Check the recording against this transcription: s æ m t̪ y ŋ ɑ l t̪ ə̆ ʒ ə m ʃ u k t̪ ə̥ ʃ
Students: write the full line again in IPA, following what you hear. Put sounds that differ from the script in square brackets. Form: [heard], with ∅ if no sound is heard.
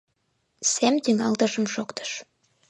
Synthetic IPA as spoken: s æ m t̪ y ŋ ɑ l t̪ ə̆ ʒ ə m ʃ [o] k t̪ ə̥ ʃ